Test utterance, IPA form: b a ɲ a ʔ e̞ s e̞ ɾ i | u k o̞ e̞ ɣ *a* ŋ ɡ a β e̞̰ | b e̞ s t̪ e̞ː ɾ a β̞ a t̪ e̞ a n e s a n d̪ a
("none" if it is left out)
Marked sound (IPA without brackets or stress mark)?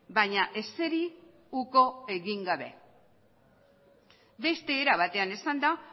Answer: i